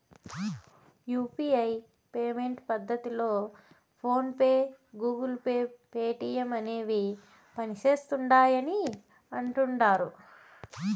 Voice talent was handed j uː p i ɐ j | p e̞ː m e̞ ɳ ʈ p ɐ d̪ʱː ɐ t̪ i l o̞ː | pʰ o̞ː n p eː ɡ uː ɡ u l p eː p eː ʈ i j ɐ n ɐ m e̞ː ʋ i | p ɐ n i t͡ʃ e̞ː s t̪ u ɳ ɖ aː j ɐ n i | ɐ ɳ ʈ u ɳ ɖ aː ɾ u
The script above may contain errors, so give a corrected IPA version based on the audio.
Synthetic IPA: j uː p i ɐ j | p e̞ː m e̞ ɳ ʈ p ɐ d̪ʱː ɐ t̪ i l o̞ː | pʰ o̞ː n p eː ɡ uː ɡ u l p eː p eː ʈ i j ɐ m ɐ n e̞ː ʋ i | p ɐ n i t͡ʃ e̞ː s t̪ u ɳ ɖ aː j ɐ n i | ɐ ɳ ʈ u ɳ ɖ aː ɾ u

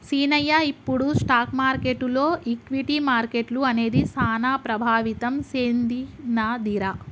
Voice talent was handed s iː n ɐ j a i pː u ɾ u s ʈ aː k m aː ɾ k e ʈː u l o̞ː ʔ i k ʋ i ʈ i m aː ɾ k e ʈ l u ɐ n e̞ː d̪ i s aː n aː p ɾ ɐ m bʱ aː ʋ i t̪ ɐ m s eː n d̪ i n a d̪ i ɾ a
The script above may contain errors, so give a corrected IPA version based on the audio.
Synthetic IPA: s iː n ɐ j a i pː u ɽ u s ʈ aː k m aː ɾ k e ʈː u l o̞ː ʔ i k ʋ i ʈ i m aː ɾ k e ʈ l u ɐ n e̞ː d̪ i s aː n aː p ɾ ɐ bʱ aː ʋ i t̪ ɐ m s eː n d̪ i n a d̪ i ɾ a

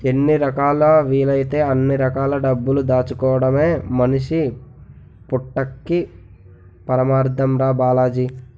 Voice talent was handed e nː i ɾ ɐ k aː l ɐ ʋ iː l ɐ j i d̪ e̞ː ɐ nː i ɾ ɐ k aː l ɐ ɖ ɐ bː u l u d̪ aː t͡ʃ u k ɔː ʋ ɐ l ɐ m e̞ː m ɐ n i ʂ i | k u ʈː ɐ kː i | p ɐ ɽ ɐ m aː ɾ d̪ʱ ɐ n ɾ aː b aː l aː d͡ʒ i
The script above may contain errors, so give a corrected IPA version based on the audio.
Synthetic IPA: e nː i ɾ ɐ k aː l ɐ ʋ iː l ɐ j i t̪ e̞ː ɐ nː i ɾ ɐ k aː l ɐ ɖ ɐ bː u l u d̪ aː t͡ʃ u k ɔː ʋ ɐ ɽ ɐ m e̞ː m ɐ n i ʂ i | p u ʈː ɐ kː i | p ɐ ɾ ɐ m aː ɾ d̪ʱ ɐ m ɾ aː b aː l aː d͡ʒ i

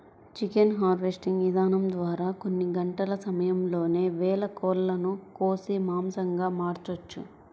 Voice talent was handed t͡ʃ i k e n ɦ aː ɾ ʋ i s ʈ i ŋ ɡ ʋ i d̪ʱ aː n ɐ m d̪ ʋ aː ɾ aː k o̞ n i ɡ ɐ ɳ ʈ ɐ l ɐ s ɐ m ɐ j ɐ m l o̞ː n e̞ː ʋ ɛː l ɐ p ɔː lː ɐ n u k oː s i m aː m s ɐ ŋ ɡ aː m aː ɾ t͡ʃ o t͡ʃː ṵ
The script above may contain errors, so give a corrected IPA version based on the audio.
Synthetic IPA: t͡ʃ i k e n ɦ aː ɾ ʋ e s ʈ i ŋ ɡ ʋ i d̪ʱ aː n ɐ m d̪ ʋ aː ɾ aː k o̞ nː i ɡ ɐ ɳ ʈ ɐ l ɐ s ɐ m ɐ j ɐ m l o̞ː n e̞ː ʋ ɛː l ɐ k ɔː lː ɐ n u k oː s i m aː m s ɐ ŋ ɡ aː m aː ɾ t͡ʃ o t͡ʃː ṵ

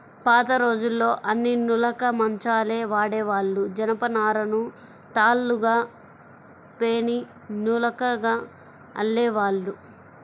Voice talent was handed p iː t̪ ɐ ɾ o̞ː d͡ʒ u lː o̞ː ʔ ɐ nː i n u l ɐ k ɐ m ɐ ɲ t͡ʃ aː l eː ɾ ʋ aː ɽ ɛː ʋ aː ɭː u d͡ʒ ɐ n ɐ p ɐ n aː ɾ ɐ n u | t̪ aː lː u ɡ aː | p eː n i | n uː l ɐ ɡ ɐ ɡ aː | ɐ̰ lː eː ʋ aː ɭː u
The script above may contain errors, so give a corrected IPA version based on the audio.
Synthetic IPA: p aː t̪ ɐ ɾ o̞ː d͡ʒ u lː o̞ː ʔ ɐ nː i n u l ɐ k ɐ m ɐ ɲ t͡ʃ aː l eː ʋ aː ɽ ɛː ʋ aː ɭː u d͡ʒ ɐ n ɐ p ɐ n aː ɾ ɐ n u | t̪ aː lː u ɡ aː | p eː n i | n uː l ɐ k ɐ ɡ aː | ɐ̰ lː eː ʋ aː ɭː u

